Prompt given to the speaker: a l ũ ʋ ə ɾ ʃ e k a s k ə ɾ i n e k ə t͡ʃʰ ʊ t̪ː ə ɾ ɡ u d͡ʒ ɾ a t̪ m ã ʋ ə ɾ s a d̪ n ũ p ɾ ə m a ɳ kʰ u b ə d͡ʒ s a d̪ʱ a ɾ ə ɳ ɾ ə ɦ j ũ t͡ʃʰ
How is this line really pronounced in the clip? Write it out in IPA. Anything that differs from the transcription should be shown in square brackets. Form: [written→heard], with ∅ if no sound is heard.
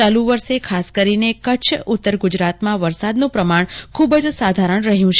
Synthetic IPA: a l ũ ʋ ə ɾ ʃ e [k→kʰ] a s k ə ɾ i n e k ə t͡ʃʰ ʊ t̪ː ə ɾ ɡ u d͡ʒ ɾ a t̪ m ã ʋ ə ɾ s a d̪ n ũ p ɾ ə m a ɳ kʰ u b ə d͡ʒ s a d̪ʱ a ɾ ə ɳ ɾ ə ɦ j ũ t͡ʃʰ